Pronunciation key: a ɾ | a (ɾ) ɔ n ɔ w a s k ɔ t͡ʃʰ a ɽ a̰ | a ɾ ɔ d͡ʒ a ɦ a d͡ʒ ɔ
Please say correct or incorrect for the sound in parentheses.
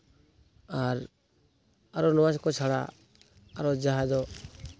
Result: correct